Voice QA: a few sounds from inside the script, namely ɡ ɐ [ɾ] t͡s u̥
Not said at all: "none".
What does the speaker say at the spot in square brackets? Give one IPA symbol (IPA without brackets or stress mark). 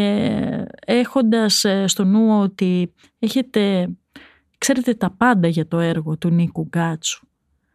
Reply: none